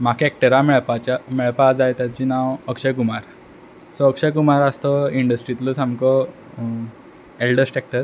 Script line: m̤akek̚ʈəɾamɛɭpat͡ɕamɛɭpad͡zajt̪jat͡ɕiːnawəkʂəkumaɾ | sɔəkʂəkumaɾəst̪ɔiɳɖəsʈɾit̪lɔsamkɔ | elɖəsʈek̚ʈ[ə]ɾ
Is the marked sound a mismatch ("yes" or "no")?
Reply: no